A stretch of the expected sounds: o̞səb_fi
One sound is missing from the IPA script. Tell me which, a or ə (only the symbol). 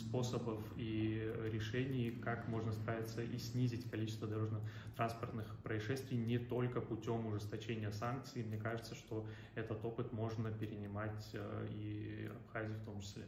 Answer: ə